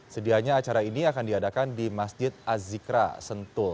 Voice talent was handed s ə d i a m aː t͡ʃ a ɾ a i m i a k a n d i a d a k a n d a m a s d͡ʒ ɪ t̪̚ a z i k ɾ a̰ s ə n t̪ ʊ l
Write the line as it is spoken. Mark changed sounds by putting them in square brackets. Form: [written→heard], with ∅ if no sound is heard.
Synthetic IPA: s ə d i a [m→ɲ] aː t͡ʃ a ɾ a i [m→n] i a k a n d i a d a k a n d [a→i] m a s d͡ʒ ɪ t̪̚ a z i k ɾ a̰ s ə n t̪ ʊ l